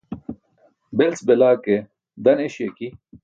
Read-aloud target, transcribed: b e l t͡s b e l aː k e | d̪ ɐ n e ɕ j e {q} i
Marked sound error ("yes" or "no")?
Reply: yes